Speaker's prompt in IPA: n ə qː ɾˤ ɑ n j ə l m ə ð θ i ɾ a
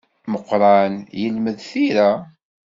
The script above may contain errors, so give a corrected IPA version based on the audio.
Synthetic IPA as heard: m ə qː ɾˤ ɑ n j ə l m ə ð θ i ɾ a